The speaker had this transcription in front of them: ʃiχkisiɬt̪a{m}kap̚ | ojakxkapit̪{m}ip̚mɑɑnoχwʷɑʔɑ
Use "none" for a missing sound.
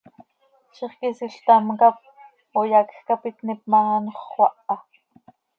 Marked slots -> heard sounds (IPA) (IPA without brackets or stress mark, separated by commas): m, n